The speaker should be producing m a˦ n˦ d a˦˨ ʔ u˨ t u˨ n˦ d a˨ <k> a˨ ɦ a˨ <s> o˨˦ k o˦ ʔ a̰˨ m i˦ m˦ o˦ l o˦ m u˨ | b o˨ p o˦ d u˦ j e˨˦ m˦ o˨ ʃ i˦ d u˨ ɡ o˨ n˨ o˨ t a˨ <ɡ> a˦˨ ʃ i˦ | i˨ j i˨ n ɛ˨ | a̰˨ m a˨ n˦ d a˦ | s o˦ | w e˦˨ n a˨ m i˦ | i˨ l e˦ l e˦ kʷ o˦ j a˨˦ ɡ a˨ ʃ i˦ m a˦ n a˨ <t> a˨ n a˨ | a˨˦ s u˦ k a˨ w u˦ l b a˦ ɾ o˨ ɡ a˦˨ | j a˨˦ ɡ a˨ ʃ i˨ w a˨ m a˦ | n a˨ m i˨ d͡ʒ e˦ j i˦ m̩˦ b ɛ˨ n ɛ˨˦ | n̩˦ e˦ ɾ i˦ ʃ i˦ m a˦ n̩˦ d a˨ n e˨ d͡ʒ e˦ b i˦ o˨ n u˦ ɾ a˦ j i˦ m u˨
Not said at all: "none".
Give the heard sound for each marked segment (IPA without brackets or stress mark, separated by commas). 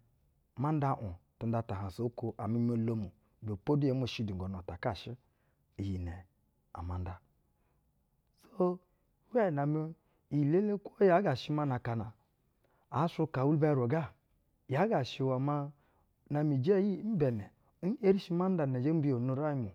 t, s, k, k